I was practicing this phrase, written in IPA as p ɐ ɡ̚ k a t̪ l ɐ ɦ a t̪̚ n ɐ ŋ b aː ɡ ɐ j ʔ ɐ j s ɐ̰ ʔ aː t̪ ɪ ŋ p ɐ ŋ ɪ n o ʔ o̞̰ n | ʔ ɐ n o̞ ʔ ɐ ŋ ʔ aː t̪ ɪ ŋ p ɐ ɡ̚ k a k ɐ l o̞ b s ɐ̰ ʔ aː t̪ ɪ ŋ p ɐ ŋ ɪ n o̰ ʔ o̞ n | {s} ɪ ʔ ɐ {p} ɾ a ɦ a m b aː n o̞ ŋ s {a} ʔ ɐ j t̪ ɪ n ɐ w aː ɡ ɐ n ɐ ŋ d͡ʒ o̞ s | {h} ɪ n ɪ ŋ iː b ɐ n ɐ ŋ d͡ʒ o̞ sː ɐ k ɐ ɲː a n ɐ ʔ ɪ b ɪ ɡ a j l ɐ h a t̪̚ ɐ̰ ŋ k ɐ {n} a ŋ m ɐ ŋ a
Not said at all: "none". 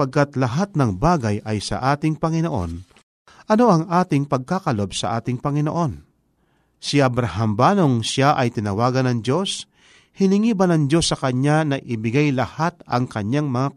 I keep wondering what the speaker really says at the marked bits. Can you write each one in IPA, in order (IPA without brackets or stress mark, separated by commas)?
s, b, a, h, ɲ